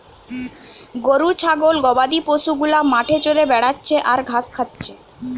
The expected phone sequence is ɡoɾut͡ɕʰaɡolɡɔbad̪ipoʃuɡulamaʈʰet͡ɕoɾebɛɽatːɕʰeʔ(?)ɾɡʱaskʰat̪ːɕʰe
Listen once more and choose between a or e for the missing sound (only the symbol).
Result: a